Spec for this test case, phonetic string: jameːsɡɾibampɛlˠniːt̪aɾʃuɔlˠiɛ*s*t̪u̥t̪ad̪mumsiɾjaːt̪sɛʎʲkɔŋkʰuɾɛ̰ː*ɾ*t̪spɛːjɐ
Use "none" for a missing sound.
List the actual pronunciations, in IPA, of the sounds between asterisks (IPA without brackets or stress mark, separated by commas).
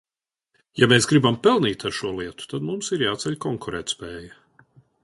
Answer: none, none